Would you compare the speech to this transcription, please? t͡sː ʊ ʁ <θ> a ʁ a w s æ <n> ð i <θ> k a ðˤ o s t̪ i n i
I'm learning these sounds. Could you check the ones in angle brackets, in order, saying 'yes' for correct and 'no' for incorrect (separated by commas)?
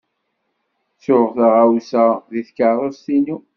yes, no, yes